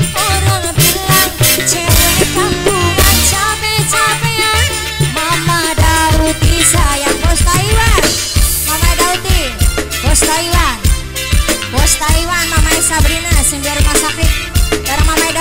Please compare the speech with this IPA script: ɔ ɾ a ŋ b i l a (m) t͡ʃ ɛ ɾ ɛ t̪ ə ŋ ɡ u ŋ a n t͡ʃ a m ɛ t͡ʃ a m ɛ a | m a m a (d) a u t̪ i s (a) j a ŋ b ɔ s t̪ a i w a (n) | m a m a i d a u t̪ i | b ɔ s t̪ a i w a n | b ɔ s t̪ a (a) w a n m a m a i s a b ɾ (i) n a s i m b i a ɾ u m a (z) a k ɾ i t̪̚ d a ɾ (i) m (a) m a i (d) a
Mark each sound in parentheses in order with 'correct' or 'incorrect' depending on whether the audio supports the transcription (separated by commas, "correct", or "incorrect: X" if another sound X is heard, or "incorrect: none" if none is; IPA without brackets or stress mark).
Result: incorrect: ŋ, correct, correct, correct, incorrect: i, correct, incorrect: s, incorrect: a, correct, correct